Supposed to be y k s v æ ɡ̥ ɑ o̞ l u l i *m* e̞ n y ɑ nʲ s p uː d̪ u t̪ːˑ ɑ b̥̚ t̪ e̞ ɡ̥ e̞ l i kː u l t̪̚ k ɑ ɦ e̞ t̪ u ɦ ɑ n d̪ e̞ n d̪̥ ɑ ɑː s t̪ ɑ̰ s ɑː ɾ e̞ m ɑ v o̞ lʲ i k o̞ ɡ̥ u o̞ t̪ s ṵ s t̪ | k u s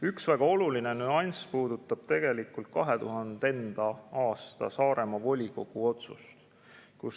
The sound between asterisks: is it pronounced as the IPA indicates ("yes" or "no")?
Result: no